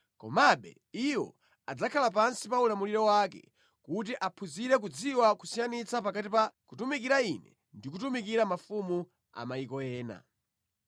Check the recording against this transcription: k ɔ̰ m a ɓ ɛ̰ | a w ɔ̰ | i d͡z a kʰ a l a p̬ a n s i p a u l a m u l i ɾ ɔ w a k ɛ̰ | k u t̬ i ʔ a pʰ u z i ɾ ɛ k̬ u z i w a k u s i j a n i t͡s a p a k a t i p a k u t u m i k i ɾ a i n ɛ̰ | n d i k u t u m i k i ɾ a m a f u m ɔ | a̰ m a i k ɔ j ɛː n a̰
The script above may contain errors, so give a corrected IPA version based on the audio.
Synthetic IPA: k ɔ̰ m a ɓ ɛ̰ | i w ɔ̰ | a d͡z a kʰ a l a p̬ a n s i p a u l a m u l i ɾ ɔ w a k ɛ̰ | k u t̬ i ʔ a pʰ u z i ɾ ɛ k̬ u d͡z i w a k u s i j a n i t͡s a p a k a t i p a k u t u m i k i ɾ a i n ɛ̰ | n d i k u t u m i k i ɾ a m a f u m u | a̰ m a i k ɔ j ɛː n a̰